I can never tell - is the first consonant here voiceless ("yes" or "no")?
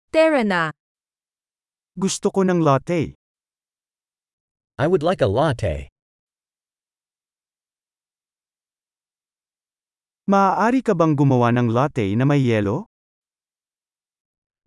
yes